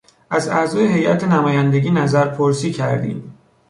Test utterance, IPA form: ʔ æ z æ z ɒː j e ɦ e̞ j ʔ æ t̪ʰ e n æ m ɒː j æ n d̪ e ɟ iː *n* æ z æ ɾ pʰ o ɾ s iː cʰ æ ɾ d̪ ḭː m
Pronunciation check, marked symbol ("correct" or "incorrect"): correct